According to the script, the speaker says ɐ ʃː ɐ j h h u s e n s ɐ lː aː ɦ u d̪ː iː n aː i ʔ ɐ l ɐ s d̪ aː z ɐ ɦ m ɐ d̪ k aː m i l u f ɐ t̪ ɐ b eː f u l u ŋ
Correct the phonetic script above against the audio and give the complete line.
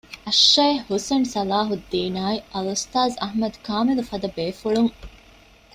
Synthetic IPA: ɐ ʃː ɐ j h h u s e n s ɐ l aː ɦ u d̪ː iː n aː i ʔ ɐ l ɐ s t̪ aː z ɐ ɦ m ɐ d̪ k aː m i l u f ɐ d̪ ɐ b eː f u ɭ u ŋ